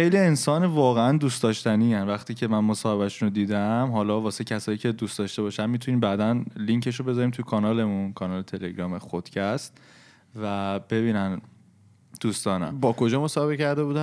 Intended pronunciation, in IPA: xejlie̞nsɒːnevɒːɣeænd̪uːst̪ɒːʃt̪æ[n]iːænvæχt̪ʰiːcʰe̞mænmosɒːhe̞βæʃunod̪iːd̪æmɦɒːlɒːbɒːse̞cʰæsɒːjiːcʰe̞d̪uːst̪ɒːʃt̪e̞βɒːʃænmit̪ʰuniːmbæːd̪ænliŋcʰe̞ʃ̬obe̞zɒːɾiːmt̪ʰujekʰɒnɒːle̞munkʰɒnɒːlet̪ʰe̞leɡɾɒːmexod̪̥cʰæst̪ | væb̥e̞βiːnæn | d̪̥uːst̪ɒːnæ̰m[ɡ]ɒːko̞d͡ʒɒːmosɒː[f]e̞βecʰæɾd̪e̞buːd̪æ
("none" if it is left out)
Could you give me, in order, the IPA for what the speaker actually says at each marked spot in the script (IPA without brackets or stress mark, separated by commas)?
n, b, h